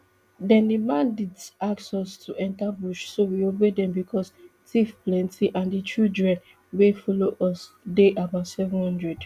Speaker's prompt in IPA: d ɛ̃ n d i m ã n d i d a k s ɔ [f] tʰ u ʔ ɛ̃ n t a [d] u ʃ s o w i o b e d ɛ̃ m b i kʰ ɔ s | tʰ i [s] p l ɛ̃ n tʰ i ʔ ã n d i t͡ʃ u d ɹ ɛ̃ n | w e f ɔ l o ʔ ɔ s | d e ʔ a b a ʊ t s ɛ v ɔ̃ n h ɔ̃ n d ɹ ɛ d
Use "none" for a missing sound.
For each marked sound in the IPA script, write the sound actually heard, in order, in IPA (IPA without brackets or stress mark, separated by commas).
s, b, f